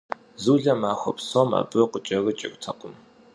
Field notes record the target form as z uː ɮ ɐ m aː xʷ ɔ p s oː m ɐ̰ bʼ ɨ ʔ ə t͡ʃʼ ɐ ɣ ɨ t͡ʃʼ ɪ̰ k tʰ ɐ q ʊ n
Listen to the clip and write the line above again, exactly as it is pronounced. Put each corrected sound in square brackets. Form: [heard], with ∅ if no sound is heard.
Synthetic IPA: z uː ɮ ɐ m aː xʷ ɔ p s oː m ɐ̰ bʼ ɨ [q] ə t͡ʃʼ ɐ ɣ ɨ t͡ʃʼ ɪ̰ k tʰ ɐ q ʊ [m]